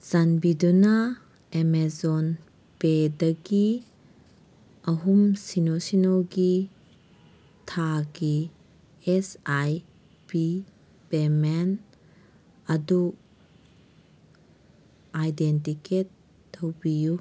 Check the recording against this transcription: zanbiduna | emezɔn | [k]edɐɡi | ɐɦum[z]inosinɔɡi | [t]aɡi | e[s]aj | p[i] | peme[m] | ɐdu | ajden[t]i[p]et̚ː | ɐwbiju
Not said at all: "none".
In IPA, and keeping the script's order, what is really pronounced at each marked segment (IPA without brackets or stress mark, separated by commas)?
p, s, tʰ, s, i, n, t, k